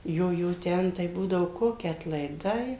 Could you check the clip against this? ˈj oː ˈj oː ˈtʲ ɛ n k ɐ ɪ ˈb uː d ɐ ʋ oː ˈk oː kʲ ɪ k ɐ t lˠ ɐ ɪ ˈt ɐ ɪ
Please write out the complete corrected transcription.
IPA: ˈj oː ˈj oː ˈtʲ ɛ n t ɐ ɪ ˈb uː d ɐ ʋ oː ˈk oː kʲ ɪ ɐ t lˠ ɐ ɪ ˈd ɐ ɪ

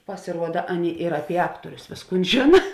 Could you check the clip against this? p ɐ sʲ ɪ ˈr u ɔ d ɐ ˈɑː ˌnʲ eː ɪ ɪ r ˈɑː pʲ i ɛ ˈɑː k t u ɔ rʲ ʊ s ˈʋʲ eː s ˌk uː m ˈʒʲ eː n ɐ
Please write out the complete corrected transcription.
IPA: p ɐ sʲ ɪ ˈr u ɔ d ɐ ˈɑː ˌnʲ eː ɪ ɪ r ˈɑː pʲ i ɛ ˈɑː k t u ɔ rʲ ʊ s ˈʋʲ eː s ˌk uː n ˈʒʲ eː n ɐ

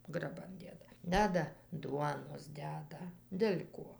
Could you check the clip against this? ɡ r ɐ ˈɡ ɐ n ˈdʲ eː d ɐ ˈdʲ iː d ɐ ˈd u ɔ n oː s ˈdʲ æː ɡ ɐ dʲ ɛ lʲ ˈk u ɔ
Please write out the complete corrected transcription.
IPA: ɡ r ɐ ˈb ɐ n ˈdʲ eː d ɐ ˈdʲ æː d ɐ ˈd u ɔ n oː s ˈdʲ æː d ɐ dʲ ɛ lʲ ˈk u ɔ

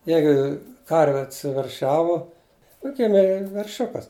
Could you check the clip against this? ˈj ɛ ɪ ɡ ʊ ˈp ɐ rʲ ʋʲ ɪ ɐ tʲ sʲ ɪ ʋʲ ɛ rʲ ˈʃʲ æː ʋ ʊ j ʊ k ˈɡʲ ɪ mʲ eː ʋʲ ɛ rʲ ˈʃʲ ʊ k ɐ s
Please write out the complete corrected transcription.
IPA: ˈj ɛ ɪ ɡ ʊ ˈk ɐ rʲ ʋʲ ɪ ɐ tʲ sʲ ɪ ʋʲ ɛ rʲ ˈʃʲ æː ʋ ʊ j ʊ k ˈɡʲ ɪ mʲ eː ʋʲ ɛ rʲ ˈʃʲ ʊ k ɐ s

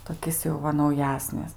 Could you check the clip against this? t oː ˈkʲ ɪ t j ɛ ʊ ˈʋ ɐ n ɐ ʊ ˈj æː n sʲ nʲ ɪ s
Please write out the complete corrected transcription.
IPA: t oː ˈkʲ ɪ s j ɛ ʊ ˈʋ ɐ n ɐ ʊ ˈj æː sʲ nʲ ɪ s

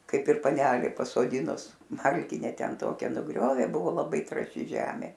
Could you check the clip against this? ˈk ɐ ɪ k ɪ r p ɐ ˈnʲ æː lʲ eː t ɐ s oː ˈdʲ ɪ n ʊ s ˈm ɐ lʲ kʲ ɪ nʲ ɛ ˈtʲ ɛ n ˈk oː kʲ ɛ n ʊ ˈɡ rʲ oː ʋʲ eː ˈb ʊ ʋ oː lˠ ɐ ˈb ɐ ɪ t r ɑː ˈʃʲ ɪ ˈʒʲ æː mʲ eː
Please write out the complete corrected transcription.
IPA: ˈk ɐ ɪ p ɪ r p ɐ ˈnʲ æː lʲ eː p ɐ s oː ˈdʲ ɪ n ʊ s ˈm ɐ lʲ kʲ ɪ nʲ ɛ ˈtʲ ɛ n ˈt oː kʲ ɛ n ʊ ˈɡ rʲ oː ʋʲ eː ˈb ʊ ʋ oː lˠ ɐ ˈb ɐ ɪ t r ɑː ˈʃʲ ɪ ˈʒʲ æː mʲ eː

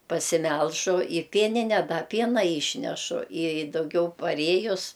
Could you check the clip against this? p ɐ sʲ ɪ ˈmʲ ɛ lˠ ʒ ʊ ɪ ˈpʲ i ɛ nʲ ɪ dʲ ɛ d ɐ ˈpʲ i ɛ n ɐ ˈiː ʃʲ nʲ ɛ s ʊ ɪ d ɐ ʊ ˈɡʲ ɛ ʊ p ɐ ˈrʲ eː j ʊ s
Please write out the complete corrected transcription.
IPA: p ɐ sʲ ɪ ˈmʲ ɛ lˠ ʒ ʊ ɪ ˈpʲ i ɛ nʲ ɪ nʲ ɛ d ɐ ˈpʲ i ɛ n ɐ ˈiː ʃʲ nʲ ɛ ʃ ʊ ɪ d ɐ ʊ ˈɡʲ ɛ ʊ p ɐ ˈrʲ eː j ʊ s

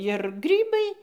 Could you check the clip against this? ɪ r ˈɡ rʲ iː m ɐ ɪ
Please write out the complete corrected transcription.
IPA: ɪ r ˈɡ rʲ iː b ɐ ɪ

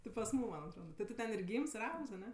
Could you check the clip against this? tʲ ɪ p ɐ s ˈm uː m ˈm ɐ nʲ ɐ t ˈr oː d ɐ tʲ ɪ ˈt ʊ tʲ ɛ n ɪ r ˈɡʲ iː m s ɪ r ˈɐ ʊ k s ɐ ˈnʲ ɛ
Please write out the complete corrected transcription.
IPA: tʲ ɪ p ɐ s ˈm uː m ˈm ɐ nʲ ɐ t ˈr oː d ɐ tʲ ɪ ˈt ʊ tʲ ɛ n ɪ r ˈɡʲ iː m s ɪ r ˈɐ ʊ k s ɐ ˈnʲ ɛ

